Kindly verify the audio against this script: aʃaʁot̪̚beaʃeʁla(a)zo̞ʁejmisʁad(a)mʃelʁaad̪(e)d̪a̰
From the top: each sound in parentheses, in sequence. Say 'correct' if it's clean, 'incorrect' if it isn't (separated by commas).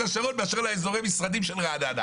incorrect, incorrect, incorrect